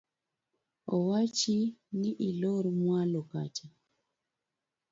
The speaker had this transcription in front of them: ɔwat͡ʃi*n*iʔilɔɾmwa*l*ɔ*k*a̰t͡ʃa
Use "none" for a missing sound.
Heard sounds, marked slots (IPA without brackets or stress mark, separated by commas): n, l, k